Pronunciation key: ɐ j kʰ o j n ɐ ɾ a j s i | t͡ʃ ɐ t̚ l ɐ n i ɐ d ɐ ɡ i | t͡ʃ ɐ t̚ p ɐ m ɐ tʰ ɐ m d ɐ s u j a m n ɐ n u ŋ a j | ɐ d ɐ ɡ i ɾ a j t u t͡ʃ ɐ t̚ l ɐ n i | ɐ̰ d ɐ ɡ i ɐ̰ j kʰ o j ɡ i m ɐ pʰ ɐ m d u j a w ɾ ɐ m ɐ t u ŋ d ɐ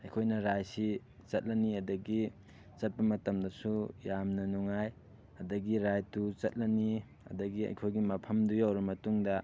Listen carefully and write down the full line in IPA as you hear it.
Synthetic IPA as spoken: ɐ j kʰ o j n ɐ ɾ a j s i | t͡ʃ ɐ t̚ l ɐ n i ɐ d ɐ ɡ i | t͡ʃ ɐ t̚ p ɐ m ɐ t ɐ m d ɐ s u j a m n ɐ n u ŋ a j | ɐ d ɐ ɡ i ɾ a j t u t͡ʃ ɐ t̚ l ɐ n i | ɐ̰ d ɐ ɡ i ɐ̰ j kʰ o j ɡ i m ɐ pʰ ɐ m d u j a w ɾ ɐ m ɐ t u ŋ d ɐ